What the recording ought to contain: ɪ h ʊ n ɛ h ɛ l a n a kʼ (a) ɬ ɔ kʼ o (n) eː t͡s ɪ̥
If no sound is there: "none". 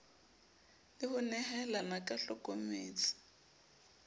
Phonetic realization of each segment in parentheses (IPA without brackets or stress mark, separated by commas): a, m